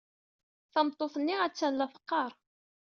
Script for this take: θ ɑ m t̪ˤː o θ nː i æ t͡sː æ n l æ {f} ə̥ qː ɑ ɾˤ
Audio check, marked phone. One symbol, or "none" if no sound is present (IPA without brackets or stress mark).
f